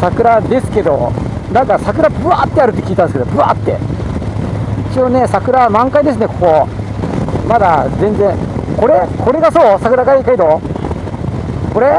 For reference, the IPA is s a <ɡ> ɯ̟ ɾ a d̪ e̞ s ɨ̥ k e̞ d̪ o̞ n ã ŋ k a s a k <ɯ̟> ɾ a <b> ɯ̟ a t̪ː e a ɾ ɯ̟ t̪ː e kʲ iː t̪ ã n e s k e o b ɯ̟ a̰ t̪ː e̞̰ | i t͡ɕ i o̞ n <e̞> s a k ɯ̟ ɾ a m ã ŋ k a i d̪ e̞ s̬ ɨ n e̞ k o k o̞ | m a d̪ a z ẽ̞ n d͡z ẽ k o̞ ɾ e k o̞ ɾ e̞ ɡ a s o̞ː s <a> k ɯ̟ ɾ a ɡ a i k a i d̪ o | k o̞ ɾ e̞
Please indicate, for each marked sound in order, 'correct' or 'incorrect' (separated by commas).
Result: incorrect, correct, correct, correct, correct